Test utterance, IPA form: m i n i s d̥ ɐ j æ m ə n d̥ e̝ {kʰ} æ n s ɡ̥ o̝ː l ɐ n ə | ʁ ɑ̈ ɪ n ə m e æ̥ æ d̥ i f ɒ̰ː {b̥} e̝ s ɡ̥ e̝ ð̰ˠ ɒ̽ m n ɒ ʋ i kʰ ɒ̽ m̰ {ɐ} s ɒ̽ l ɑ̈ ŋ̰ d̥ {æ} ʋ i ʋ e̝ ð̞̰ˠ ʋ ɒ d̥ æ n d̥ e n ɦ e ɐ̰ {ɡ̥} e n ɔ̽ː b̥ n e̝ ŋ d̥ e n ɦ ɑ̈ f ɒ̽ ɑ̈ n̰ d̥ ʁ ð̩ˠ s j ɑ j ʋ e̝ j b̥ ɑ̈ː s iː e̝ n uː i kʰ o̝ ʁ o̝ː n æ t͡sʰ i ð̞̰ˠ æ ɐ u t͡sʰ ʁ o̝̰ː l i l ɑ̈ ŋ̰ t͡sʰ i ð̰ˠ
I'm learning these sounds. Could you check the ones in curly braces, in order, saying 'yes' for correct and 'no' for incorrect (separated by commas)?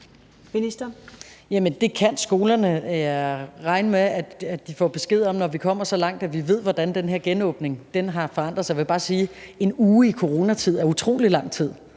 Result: yes, yes, yes, yes, yes